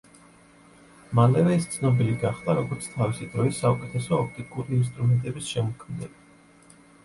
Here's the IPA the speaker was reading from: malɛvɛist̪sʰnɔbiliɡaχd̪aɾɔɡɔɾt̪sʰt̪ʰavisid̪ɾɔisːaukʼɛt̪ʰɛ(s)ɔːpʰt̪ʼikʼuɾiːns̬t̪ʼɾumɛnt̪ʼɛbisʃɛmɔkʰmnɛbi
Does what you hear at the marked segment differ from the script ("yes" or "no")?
no